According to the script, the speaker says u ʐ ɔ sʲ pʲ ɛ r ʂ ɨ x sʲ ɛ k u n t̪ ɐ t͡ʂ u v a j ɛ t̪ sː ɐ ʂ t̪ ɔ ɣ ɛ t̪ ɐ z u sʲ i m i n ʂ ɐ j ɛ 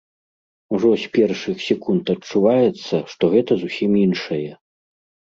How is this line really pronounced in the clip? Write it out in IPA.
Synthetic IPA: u ʐ ɔ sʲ pʲ ɛ r ʂ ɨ x sʲ ɛ k u n t̪ ɐ t͡ʂ u v a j ɛ t̪ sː ɐ ʂ t̪ ɔ ɣ ɛ t̪ ɐ z u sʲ i m i n ʂ ɐ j ɛ